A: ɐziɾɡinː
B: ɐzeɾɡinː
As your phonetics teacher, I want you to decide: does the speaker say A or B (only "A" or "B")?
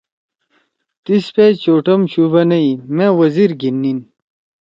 A